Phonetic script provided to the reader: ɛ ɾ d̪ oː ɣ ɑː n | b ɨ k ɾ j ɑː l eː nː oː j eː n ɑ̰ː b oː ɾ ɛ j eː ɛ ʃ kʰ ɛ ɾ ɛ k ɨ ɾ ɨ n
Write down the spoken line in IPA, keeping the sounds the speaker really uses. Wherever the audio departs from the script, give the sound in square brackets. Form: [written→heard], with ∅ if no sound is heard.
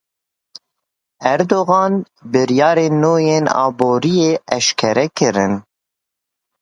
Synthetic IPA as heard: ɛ ɾ d̪ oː ɣ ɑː n | b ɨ [k→∅] ɾ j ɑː [l→ɾ] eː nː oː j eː n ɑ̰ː b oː ɾ [ɛ→i] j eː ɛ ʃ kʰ ɛ ɾ ɛ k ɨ ɾ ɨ n